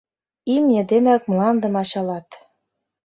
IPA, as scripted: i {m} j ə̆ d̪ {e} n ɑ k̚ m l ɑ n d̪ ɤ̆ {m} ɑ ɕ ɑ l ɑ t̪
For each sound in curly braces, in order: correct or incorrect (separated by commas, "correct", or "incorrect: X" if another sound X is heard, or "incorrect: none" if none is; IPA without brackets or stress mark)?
correct, correct, correct